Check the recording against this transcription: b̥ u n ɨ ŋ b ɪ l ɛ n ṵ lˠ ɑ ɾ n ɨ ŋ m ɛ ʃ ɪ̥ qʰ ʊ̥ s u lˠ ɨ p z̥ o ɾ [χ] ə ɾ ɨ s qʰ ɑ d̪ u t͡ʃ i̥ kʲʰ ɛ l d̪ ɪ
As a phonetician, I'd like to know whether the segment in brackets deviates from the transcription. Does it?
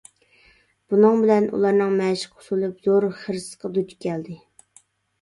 no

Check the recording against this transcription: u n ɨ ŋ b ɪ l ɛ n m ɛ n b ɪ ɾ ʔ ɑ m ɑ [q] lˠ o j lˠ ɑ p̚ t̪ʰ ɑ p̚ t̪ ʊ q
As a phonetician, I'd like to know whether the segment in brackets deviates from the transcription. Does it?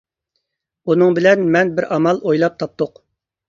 yes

